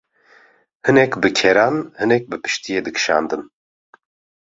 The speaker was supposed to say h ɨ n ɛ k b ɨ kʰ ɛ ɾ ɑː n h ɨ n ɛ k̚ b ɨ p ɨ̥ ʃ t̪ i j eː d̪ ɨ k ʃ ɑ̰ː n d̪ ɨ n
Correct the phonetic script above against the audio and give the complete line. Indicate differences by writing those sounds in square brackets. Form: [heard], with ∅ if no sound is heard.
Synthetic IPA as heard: h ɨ n ɛ k b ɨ kʰ ɛ ɾ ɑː n h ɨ n ɛ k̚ b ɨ p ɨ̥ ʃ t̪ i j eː d̪ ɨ k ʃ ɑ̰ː n d̪ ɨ n